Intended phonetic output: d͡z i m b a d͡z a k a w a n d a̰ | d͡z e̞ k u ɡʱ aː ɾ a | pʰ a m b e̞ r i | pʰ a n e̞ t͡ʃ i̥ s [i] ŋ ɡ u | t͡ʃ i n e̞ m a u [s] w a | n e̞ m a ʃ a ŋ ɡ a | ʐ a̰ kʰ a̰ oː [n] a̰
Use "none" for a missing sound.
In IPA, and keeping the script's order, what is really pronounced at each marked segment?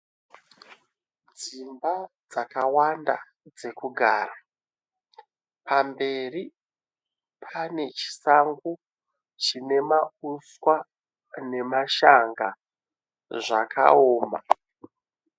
a, s, m

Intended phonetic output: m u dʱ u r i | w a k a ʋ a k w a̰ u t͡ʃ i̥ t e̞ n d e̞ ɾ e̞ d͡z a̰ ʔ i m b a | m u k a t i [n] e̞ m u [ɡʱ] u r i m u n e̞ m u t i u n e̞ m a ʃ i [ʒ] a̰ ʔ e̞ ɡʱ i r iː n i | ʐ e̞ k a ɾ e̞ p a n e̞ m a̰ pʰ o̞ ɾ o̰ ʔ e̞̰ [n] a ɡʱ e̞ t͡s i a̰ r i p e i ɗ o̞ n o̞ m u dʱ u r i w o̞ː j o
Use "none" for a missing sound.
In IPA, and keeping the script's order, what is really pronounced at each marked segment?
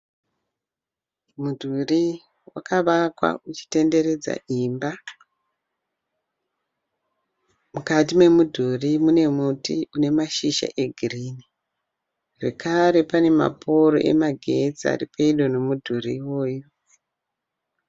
m, dʱ, ʃ, m

